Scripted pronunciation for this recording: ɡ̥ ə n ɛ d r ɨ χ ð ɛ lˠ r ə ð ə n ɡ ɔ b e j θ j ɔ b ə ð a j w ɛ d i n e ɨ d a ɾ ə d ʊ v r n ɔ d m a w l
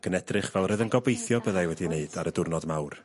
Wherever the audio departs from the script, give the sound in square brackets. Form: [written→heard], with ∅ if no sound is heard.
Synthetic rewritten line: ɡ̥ ə n ɛ d r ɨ χ [ð→v] ɛ lˠ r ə ð ə n ɡ ɔ b e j θ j ɔ b ə ð a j w ɛ d i n e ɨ d a ɾ ə d ʊ [v→∅] r n ɔ d m a w [l→r]